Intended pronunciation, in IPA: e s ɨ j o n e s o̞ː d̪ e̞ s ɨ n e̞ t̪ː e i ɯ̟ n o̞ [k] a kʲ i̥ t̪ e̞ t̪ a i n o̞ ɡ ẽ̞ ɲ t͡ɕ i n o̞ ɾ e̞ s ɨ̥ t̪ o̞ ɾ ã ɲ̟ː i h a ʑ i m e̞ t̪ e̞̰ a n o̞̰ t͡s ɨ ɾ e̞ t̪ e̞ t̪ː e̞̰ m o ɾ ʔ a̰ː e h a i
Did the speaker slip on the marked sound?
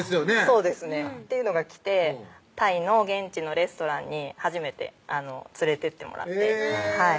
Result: yes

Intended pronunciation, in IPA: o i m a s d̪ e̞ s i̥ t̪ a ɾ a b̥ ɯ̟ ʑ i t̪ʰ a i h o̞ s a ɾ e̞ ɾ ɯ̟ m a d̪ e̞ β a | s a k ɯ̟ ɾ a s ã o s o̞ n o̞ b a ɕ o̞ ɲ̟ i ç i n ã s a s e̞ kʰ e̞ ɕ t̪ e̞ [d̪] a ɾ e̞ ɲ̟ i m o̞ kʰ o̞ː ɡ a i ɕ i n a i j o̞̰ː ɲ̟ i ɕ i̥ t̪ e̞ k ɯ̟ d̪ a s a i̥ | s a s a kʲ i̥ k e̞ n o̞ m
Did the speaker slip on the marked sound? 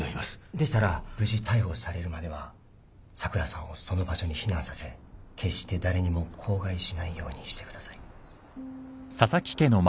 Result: no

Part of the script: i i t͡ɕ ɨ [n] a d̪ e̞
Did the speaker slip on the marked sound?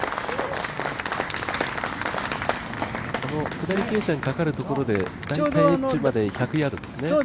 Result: yes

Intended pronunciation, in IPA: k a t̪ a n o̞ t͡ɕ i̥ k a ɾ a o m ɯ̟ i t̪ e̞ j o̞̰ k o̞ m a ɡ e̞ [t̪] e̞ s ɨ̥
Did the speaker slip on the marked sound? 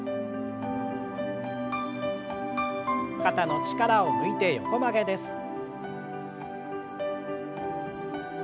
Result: yes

